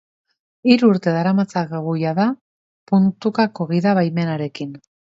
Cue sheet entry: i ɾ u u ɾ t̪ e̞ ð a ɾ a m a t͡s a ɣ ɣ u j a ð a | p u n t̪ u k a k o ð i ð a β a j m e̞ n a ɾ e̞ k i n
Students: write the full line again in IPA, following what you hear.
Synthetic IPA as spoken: i ɾ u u ɾ t̪ e̞ ð a ɾ a m a t͡s a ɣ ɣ u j a ð a | p u n t̪ u k a k o ɣ i ð a β a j m e̞ n a ɾ e̞ k i n